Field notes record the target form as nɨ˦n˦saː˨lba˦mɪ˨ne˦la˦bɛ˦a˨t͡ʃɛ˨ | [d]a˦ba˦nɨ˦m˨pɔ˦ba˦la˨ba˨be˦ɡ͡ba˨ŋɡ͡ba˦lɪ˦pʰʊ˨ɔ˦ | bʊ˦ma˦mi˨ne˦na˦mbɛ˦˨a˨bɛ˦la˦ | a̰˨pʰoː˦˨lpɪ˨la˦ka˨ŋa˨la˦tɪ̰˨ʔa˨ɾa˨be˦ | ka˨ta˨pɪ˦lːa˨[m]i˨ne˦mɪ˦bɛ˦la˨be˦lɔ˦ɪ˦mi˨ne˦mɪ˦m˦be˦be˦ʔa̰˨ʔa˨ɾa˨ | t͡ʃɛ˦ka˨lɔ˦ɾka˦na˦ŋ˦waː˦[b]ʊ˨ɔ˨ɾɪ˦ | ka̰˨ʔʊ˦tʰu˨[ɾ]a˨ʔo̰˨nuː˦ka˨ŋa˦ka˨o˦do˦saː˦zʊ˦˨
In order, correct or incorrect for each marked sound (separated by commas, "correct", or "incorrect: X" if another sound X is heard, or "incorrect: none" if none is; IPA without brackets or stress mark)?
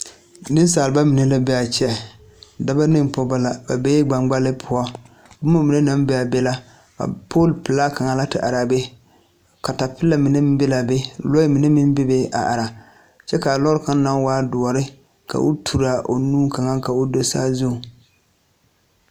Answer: correct, correct, incorrect: d, correct